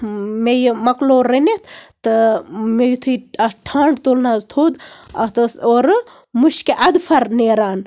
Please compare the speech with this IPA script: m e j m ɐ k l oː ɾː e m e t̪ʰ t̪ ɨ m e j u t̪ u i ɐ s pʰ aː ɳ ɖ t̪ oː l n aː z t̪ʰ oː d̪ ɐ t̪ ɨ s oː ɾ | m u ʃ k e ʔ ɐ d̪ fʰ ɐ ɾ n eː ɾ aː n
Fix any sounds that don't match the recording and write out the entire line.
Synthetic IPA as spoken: m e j m ɐ k l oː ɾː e n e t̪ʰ t̪ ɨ m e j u t̪ʰ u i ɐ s ʈʰ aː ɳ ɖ t̪ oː l n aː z t̪ʰ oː d̪ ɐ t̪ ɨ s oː ɾ | m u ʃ k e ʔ ɐ d̪ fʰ ɐ ɾ n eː ɾ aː n